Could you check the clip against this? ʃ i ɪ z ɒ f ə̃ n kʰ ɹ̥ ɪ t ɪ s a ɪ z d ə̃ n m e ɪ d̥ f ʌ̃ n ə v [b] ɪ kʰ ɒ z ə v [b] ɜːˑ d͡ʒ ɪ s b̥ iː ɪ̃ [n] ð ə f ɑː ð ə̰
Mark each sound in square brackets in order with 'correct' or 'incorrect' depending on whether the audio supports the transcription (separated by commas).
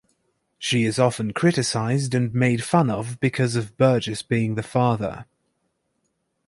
correct, correct, incorrect